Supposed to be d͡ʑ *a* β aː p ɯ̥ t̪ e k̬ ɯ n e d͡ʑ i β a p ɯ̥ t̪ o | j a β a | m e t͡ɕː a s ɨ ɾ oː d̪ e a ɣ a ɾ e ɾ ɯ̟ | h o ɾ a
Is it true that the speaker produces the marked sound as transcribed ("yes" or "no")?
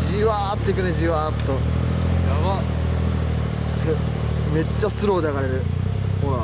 no